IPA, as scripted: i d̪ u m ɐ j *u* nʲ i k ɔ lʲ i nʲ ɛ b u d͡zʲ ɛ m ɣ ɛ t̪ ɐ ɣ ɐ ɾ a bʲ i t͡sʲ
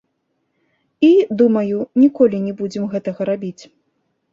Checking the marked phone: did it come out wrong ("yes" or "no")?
no